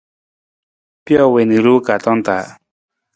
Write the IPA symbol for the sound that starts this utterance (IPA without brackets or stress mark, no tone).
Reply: p